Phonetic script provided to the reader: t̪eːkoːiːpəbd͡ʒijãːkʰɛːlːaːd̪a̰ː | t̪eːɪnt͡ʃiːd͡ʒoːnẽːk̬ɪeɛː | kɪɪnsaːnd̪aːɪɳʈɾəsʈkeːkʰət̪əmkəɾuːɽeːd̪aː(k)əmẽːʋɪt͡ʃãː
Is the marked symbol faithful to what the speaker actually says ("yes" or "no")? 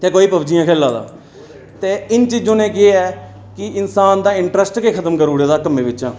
yes